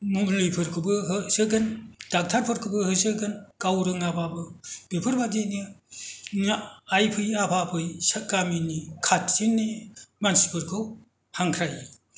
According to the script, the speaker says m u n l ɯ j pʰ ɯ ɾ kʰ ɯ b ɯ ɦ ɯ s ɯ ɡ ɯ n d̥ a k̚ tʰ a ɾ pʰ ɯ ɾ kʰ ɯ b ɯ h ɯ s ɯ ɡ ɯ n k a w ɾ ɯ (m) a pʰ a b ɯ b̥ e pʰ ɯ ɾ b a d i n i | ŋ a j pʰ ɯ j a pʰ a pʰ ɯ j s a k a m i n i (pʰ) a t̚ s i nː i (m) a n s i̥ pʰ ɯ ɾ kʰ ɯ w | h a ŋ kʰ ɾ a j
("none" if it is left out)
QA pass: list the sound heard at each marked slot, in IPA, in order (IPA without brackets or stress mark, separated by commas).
ŋ, kʰ, m